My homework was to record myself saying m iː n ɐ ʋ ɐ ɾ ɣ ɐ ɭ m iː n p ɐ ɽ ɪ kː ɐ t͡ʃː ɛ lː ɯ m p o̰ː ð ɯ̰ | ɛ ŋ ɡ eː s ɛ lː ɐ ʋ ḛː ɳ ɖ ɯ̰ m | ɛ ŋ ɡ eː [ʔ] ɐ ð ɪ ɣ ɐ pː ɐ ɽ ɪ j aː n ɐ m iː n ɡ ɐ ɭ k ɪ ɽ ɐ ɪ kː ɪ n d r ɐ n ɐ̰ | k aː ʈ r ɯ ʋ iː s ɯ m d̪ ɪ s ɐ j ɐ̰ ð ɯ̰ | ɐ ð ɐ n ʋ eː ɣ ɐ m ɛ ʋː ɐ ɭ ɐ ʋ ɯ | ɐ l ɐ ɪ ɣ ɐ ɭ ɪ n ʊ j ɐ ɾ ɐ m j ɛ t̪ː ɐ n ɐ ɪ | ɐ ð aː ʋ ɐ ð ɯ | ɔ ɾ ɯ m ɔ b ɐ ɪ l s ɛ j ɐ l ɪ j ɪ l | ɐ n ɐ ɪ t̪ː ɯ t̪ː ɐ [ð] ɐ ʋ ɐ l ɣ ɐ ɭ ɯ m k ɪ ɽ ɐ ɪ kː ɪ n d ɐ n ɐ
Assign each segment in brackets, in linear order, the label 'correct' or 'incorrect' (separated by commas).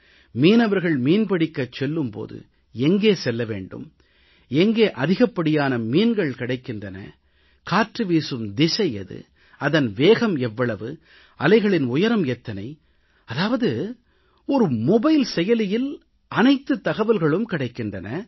correct, incorrect